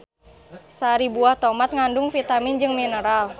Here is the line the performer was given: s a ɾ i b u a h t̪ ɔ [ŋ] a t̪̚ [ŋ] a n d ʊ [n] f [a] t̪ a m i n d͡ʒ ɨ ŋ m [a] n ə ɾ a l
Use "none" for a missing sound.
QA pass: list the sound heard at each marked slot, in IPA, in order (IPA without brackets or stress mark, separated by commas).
m, ŋ, ŋ, i, i